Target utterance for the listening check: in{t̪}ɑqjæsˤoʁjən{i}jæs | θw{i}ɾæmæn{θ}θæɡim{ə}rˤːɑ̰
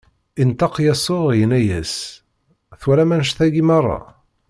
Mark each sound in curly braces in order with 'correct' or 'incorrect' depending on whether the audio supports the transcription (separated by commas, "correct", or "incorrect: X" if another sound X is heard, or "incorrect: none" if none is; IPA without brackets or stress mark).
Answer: correct, incorrect: æ, incorrect: æ, incorrect: ʃ, incorrect: ɑ